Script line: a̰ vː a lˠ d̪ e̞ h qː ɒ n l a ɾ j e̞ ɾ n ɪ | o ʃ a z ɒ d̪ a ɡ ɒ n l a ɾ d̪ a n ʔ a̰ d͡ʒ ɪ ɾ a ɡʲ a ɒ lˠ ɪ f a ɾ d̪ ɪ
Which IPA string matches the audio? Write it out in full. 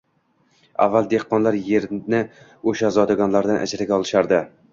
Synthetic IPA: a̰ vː a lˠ d̪ e̞ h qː ɒ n l a ɾ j e̞ ɾ n ɪ | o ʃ a z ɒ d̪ a ɡ ɒ n l a ɾ d̪ a n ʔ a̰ d͡ʒ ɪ ɾ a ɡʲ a ɒ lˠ ɪ ʃ a ɾ d̪ ɪ